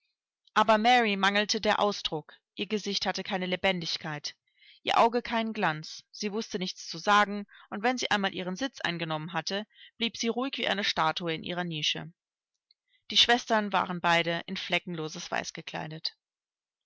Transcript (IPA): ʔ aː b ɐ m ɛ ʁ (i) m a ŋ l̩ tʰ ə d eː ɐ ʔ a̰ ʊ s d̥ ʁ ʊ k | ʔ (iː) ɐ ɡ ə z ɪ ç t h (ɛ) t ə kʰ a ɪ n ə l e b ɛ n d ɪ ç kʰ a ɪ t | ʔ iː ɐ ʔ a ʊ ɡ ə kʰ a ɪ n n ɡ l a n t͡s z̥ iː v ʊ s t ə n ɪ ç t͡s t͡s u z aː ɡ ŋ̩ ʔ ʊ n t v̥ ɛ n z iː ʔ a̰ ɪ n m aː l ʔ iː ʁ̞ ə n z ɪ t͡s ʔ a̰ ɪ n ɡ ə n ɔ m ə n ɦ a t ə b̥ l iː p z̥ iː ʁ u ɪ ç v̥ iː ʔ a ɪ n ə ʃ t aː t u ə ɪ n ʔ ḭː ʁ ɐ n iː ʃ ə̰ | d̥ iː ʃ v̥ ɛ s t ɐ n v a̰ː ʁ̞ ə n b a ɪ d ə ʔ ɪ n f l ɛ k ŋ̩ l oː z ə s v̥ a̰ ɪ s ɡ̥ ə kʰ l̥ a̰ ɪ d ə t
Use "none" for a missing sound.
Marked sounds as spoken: i, iː, a

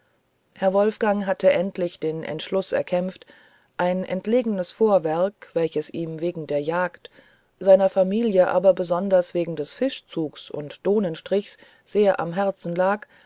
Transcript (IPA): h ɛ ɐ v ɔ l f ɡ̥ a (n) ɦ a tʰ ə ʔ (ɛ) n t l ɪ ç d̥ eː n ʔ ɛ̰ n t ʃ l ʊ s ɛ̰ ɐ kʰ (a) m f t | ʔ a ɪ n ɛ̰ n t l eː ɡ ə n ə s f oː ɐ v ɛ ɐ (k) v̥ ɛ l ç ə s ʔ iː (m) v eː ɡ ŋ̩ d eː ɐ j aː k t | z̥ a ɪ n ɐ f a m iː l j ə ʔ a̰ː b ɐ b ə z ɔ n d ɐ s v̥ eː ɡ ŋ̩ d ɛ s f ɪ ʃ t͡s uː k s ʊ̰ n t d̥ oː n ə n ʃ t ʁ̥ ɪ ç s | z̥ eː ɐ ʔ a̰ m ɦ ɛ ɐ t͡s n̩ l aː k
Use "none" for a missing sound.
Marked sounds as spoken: ŋ, ɛ, ɛ, k, m

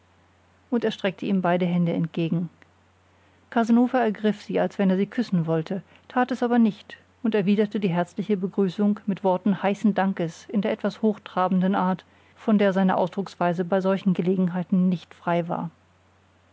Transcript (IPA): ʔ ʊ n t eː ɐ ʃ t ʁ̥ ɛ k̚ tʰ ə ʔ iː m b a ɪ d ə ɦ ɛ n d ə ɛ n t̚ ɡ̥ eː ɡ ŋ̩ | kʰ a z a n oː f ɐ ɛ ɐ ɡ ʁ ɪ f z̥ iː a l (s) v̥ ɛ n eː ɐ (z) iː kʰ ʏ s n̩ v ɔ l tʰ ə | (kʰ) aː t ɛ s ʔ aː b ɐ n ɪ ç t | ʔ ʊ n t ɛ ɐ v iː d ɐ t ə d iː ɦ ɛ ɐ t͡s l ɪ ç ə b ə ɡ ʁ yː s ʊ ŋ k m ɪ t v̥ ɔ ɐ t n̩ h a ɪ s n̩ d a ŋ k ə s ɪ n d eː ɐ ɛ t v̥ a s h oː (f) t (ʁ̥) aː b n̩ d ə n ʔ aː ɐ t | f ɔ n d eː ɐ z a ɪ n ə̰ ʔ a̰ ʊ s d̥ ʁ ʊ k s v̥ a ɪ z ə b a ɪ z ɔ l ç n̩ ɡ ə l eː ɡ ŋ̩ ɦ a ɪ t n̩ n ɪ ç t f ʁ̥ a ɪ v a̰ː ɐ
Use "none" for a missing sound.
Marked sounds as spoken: s, z, tʰ, x, ʁ̥

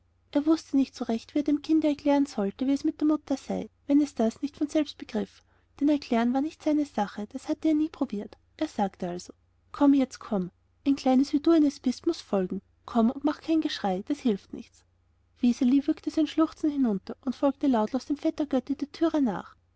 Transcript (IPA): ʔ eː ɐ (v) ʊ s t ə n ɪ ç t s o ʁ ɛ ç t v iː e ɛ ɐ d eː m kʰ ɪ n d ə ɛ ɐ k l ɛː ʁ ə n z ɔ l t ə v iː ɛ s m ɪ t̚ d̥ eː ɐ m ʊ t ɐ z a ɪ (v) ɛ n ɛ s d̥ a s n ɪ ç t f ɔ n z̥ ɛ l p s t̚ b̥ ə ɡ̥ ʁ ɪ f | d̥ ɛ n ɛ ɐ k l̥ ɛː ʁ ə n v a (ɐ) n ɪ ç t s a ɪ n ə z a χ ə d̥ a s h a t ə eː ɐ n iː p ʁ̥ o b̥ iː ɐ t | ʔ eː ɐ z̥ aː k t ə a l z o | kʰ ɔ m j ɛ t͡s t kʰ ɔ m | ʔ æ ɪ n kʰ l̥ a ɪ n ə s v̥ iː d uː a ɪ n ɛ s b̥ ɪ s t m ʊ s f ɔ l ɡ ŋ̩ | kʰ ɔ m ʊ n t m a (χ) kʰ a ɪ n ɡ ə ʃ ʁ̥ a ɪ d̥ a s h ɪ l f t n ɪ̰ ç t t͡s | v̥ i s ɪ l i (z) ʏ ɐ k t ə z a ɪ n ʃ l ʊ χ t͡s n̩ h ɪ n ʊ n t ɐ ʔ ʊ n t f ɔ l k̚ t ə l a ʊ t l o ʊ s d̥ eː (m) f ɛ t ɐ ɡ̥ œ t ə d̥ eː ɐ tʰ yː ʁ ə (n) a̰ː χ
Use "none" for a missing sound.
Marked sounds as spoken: v, v, ɐ, χ, v, m, n

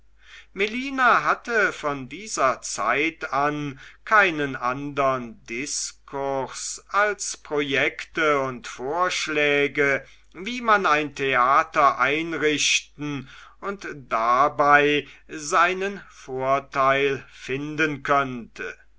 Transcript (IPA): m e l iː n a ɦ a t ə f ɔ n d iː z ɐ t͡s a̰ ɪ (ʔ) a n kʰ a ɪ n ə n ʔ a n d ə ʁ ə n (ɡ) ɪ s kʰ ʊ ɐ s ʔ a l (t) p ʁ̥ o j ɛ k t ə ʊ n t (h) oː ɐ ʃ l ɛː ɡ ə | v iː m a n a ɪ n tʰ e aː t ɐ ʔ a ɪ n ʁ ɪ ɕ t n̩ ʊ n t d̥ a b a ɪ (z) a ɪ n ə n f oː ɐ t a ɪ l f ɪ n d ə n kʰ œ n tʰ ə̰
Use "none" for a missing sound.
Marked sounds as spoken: t, d, s, f, z

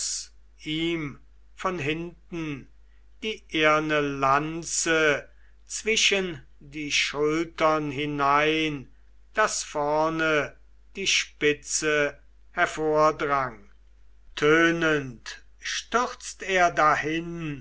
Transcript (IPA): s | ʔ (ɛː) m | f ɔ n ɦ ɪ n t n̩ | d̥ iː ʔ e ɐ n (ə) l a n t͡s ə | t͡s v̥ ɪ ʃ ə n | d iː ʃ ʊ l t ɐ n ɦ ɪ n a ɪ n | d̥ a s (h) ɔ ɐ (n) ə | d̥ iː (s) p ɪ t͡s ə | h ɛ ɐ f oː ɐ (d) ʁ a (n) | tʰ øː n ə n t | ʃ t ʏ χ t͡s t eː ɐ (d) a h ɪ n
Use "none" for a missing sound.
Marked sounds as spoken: iː, ə, f, n, ʃ, d, ŋ, d

